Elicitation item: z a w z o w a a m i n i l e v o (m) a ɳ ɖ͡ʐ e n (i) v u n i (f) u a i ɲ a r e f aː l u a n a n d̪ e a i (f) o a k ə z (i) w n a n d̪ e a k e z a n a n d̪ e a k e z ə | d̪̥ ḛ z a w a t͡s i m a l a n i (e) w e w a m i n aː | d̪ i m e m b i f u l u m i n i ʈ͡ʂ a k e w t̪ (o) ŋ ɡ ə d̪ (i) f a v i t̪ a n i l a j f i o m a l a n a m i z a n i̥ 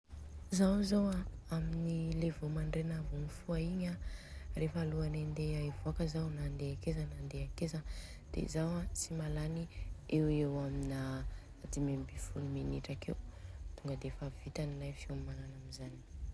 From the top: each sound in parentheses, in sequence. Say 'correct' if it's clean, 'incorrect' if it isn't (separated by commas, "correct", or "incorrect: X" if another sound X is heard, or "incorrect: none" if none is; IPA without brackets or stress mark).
correct, incorrect: a, correct, incorrect: v, incorrect: a, correct, incorrect: u, incorrect: e